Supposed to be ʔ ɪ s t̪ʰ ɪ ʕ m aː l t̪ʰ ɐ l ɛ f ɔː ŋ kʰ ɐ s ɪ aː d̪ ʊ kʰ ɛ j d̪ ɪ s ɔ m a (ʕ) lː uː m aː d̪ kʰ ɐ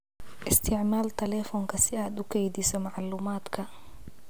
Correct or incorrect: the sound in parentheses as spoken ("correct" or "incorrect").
correct